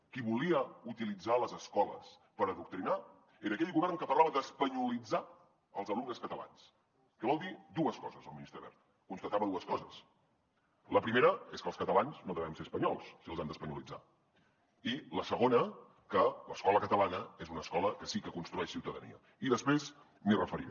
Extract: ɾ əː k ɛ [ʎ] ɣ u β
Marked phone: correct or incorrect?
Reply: correct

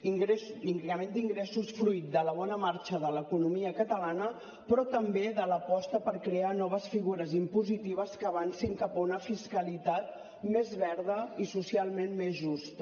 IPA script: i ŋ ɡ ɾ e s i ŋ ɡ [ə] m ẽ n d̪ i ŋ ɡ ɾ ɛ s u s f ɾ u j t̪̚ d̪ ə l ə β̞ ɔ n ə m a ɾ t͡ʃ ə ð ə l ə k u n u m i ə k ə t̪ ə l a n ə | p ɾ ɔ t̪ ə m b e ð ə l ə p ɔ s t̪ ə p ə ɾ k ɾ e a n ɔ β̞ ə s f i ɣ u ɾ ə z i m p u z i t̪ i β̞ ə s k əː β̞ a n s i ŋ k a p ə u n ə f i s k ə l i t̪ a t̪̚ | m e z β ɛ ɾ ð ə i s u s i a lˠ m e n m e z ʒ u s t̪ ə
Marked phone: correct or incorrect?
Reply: correct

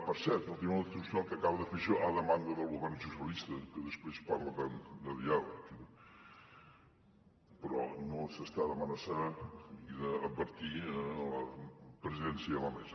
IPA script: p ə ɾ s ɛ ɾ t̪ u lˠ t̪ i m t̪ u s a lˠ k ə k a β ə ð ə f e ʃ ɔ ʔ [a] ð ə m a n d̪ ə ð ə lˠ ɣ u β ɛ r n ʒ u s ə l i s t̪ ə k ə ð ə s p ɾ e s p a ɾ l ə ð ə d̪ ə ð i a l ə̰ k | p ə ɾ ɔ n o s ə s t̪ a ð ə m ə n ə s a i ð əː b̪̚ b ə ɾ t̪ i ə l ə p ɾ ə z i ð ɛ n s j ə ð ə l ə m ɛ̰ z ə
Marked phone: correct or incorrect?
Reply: correct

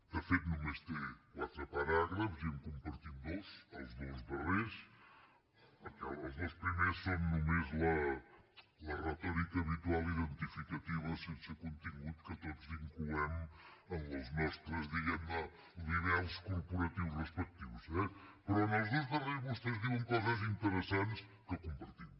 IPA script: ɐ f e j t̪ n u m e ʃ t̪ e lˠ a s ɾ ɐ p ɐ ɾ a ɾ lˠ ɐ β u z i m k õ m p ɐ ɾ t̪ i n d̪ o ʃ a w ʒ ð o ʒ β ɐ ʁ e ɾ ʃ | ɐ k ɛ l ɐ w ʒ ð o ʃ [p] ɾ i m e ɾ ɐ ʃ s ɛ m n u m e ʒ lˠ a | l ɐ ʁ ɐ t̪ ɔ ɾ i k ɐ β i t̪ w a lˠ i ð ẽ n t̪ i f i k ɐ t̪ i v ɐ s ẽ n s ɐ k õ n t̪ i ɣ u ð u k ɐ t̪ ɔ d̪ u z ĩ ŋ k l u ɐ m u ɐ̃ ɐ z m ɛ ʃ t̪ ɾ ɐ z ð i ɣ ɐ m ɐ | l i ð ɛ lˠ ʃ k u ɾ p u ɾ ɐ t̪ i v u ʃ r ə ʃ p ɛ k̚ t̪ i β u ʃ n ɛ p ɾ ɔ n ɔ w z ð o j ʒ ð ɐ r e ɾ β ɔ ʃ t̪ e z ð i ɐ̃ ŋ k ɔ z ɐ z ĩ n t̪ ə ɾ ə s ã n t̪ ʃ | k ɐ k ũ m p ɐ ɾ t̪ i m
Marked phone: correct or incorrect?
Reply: correct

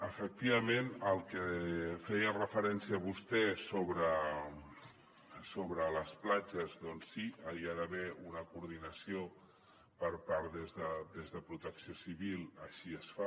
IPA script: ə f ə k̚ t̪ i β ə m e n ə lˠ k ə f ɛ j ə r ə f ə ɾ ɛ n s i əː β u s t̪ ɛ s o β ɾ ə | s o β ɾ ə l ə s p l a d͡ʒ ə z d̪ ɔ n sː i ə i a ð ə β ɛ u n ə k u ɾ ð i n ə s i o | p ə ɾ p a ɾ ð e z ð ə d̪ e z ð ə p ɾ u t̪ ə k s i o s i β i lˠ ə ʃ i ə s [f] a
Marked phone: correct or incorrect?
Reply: correct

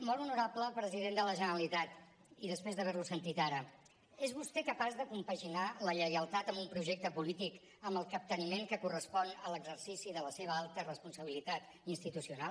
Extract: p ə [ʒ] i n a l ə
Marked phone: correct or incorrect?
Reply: correct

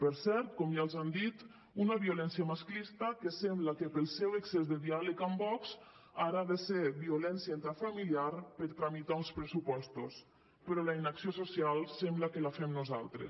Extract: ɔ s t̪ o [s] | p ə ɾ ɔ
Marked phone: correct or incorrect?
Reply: correct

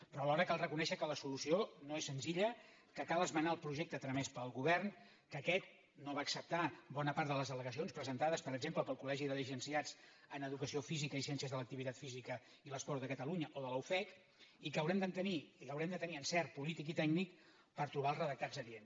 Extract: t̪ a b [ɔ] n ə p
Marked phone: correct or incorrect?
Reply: correct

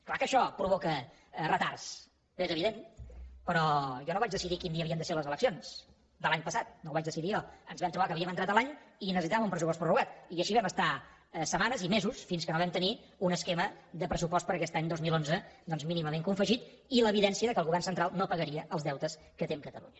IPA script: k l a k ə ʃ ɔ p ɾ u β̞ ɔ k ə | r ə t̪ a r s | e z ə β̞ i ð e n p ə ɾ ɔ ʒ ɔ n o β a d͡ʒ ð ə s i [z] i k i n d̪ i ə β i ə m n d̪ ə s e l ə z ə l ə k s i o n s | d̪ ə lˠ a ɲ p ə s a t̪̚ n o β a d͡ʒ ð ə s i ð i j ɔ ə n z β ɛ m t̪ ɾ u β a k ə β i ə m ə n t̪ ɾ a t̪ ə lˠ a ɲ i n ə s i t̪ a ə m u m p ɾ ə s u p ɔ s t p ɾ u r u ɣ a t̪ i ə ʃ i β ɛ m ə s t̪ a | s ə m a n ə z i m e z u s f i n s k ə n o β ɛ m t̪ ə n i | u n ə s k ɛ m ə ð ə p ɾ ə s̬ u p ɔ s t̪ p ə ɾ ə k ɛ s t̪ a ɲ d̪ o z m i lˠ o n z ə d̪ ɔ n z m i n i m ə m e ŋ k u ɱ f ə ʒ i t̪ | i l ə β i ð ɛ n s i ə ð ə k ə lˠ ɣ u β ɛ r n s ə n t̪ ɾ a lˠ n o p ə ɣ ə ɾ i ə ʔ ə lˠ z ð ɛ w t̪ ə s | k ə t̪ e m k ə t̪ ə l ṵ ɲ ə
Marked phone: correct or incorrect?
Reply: incorrect: ð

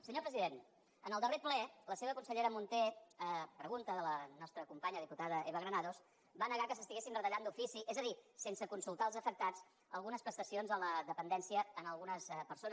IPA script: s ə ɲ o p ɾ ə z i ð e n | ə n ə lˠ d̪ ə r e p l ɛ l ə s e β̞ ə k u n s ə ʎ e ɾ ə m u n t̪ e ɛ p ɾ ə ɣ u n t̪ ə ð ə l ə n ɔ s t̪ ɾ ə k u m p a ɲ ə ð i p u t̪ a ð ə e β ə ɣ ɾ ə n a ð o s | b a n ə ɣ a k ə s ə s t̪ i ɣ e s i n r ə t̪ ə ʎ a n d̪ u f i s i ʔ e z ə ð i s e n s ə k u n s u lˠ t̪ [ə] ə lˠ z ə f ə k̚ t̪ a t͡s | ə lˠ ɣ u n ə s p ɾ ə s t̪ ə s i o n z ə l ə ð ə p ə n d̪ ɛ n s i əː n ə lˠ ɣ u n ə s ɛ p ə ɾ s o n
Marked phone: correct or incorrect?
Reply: incorrect: a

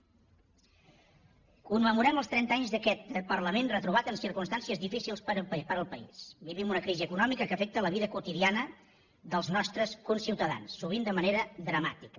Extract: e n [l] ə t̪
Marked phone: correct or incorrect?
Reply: incorrect: r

